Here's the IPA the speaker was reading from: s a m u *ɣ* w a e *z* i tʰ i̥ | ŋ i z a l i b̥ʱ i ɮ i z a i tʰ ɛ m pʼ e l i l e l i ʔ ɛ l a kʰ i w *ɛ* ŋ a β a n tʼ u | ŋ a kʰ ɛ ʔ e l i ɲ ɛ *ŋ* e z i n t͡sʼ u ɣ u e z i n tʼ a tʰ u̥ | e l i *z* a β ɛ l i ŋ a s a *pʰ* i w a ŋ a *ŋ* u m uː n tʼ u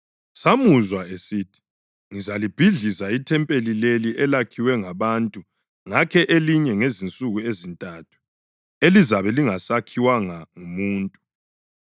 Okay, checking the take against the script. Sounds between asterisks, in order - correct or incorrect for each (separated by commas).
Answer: incorrect, incorrect, correct, correct, correct, incorrect, correct